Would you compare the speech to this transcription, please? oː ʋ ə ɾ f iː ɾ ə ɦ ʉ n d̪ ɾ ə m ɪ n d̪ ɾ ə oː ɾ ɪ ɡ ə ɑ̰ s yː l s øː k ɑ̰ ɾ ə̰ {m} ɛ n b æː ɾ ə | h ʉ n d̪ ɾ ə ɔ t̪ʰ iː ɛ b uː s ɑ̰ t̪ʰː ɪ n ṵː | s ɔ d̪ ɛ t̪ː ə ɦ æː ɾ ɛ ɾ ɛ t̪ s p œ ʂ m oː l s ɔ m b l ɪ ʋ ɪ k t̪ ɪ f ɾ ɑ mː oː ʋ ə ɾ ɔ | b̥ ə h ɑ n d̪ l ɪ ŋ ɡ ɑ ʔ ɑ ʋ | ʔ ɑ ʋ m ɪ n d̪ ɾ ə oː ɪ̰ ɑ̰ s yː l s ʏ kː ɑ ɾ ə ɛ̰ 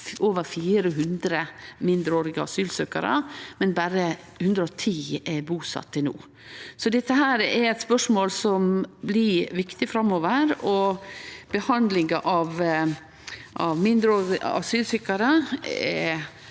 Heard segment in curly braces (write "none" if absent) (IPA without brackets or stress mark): m